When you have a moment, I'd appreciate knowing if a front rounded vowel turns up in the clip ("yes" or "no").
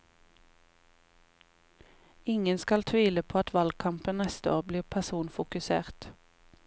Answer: no